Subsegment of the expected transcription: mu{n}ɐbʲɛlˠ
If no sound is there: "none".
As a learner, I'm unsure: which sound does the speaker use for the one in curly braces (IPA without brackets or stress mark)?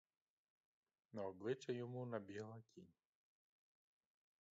n